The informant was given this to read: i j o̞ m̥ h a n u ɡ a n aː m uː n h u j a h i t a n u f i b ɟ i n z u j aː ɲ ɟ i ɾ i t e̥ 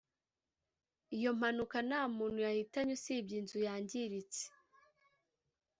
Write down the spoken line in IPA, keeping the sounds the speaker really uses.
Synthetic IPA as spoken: i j o̞ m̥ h a n u k a n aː m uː n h u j a h i t a ɲ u s i b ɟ i n z u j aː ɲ ɟ i ɾ i t͡s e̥